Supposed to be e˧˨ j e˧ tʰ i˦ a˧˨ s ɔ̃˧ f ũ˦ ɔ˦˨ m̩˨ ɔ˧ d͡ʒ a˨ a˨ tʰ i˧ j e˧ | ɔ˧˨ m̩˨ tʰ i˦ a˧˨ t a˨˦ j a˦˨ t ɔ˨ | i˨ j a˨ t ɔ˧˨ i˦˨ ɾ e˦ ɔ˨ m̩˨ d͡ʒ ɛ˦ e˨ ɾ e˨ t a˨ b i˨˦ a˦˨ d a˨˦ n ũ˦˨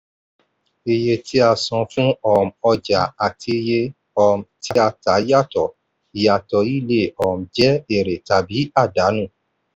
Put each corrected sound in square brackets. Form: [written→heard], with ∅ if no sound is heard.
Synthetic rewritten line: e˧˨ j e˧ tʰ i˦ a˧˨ s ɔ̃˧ f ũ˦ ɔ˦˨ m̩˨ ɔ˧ d͡ʒ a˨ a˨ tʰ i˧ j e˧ | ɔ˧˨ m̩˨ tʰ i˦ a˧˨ t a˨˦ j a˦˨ t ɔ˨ | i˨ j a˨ t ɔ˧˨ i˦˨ [ɾ→l] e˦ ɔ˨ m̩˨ d͡ʒ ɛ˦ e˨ ɾ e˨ t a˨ b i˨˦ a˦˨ d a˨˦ n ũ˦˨